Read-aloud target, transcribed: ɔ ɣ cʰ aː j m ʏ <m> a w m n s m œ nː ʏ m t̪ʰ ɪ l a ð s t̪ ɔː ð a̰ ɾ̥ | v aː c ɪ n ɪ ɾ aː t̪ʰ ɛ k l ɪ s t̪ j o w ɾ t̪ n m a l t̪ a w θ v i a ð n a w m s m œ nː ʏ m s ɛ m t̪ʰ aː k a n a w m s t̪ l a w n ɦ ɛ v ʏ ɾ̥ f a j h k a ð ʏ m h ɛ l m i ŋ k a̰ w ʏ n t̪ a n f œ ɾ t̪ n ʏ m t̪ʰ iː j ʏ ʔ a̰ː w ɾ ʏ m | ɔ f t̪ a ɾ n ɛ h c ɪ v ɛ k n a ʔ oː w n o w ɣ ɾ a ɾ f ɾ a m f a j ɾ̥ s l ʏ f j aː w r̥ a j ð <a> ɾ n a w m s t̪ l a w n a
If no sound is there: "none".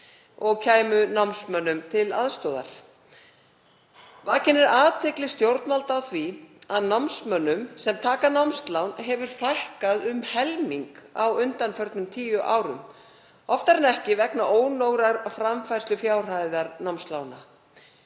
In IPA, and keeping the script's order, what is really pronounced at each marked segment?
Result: n, a

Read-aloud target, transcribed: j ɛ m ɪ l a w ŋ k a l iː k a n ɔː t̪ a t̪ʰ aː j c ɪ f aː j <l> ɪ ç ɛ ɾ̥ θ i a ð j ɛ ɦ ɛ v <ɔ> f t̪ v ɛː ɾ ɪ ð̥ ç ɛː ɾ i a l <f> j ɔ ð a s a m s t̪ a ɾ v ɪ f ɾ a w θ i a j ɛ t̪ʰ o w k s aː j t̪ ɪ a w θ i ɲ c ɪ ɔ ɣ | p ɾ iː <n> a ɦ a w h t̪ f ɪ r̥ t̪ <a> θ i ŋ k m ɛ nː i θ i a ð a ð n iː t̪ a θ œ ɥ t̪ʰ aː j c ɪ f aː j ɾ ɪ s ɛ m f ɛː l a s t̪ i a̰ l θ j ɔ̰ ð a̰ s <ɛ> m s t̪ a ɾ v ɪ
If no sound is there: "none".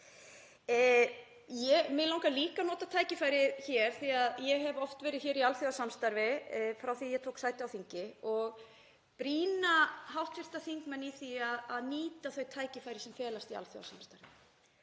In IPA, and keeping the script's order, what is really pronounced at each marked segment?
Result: ɾ, ɔ, θ, n, a, a

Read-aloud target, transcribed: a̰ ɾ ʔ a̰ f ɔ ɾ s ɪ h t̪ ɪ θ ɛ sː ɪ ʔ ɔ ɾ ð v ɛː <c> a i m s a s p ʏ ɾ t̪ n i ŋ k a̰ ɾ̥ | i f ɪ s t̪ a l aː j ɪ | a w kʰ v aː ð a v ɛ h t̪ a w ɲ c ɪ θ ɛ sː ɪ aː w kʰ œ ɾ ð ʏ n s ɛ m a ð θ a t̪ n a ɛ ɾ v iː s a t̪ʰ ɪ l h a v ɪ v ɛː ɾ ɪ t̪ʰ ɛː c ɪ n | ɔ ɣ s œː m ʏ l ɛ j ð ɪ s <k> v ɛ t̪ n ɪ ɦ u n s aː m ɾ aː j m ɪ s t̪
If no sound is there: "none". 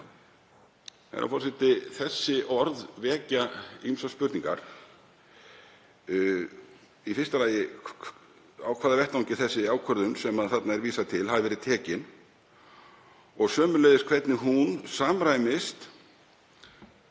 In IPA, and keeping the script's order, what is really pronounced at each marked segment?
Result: c, kʰ

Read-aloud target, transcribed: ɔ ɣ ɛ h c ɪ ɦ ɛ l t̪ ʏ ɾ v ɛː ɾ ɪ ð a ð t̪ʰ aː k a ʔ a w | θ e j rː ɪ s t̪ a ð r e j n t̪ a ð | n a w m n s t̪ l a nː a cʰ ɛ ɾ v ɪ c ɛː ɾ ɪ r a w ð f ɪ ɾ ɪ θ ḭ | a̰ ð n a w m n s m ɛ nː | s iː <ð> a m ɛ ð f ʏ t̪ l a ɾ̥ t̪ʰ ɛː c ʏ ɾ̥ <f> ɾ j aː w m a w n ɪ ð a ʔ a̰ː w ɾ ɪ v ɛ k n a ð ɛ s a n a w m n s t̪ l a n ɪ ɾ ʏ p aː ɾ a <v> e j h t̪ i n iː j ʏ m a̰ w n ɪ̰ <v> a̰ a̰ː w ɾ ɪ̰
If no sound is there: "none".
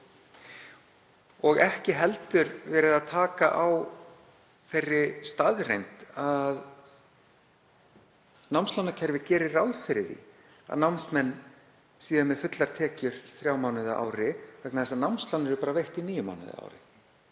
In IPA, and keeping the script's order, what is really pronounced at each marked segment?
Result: ð, θ, v, ð

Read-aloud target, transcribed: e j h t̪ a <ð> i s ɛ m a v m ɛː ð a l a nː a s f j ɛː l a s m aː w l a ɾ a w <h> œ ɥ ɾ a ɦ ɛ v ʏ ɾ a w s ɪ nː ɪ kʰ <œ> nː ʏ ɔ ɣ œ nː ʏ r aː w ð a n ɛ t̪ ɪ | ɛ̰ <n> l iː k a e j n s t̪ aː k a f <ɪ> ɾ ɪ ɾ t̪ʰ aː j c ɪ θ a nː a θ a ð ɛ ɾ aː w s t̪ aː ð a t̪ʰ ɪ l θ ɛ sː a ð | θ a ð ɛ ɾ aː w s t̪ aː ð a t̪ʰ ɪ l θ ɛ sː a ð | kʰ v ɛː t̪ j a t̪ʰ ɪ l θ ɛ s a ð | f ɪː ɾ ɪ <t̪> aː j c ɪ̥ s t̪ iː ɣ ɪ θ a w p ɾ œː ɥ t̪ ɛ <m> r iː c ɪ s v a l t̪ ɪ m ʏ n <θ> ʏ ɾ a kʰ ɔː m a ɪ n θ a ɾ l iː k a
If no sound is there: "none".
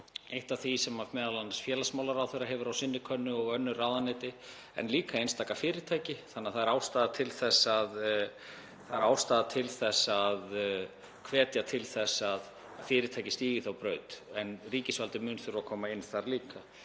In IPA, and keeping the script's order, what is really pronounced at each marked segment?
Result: θ, θ, œ, n, ɪː, t̪ʰ, n, θ

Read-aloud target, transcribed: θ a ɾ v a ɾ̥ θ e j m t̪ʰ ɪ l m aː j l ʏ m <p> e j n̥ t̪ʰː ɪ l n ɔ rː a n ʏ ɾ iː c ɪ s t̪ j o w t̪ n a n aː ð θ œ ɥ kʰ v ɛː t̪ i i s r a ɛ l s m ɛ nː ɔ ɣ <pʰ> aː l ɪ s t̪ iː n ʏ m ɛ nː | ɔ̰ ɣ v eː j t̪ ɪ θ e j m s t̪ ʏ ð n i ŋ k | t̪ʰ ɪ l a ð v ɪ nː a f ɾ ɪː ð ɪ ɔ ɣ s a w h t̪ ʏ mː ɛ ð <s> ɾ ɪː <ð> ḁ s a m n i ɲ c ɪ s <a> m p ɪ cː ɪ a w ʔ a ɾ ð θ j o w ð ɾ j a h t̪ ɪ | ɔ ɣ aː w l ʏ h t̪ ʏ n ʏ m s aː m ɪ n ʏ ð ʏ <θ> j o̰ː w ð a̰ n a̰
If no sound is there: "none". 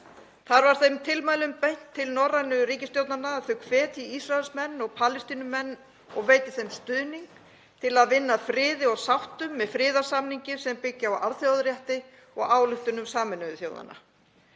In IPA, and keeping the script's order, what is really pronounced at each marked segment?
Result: p, pʰ, f, ð, ɛ, θ

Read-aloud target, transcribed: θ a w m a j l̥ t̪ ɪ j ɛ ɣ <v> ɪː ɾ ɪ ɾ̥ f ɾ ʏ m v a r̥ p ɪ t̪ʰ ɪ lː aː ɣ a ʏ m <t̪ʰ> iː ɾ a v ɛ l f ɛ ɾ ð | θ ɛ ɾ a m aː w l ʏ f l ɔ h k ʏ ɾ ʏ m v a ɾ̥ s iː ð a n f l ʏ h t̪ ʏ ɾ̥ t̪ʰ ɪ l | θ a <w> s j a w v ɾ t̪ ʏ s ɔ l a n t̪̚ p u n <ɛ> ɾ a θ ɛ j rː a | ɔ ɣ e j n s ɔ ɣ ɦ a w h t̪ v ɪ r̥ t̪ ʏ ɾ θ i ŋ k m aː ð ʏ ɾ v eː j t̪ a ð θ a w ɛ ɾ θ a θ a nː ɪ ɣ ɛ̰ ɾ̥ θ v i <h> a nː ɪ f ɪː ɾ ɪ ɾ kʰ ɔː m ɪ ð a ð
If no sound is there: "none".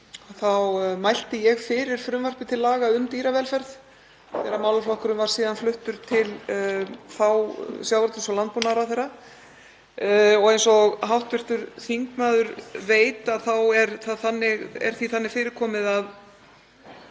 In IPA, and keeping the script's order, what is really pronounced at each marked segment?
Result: f, t̪, w, a, θ

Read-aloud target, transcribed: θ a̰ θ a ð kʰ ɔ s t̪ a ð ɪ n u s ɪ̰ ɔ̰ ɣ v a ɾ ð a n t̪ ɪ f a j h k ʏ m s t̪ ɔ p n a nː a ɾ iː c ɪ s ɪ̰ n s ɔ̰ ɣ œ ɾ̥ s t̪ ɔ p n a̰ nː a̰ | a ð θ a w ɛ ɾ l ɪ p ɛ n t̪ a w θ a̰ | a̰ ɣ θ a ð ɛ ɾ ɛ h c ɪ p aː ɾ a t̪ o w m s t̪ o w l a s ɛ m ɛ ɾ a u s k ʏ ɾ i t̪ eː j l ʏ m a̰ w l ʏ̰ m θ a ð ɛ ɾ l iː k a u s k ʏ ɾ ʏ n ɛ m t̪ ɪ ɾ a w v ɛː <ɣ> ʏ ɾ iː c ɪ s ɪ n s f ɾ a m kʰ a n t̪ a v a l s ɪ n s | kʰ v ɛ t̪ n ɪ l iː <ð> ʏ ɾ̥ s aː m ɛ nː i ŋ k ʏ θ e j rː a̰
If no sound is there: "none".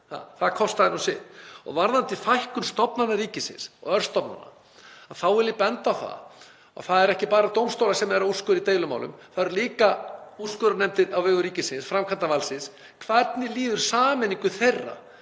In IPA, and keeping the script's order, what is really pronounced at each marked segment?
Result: ɣ, ð

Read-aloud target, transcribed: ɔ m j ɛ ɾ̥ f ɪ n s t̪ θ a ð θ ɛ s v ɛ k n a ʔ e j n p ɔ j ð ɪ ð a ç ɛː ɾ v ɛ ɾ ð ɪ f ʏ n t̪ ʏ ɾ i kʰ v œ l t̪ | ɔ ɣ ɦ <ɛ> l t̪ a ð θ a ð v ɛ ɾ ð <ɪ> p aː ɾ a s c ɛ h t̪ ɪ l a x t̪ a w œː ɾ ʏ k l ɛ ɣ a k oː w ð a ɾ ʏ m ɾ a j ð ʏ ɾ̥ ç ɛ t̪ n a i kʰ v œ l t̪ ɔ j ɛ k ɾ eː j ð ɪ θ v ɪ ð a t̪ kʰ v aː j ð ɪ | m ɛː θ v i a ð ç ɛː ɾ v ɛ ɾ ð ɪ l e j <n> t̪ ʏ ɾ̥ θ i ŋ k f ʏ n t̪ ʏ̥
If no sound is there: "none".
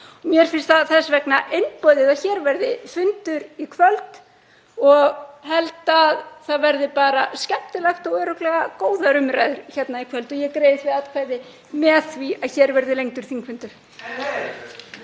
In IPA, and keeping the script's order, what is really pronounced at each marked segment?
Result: ɛ, ɪ, ŋ

